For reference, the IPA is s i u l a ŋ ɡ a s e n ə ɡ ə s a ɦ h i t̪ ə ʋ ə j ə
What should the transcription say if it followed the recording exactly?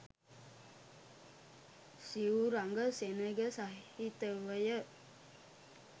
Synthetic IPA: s i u ɾ a ŋ ɡ ə s e n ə ɡ ə s a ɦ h i t̪ ə ʋ ə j ə